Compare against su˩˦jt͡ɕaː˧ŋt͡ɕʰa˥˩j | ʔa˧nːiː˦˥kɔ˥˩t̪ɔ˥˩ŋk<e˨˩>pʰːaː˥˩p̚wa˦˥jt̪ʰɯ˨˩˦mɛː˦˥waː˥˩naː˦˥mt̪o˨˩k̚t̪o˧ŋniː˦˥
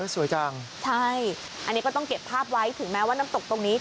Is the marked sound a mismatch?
no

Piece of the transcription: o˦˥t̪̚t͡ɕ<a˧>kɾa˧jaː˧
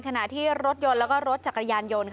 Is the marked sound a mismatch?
yes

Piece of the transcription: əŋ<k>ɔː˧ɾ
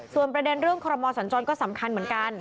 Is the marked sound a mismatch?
yes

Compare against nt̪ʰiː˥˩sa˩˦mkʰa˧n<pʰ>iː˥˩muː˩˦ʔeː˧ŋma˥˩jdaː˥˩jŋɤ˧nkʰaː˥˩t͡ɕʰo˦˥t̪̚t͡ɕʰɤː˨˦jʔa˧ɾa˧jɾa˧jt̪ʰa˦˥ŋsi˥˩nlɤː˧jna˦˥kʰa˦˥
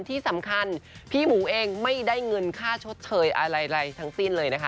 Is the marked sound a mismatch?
no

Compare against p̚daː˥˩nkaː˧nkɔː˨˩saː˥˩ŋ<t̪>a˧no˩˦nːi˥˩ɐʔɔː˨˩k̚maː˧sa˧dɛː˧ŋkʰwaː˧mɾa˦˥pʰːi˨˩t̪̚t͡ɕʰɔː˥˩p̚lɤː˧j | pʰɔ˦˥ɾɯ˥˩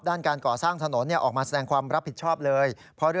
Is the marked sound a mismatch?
yes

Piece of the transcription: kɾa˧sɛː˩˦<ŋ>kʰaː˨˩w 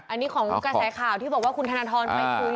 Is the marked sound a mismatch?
yes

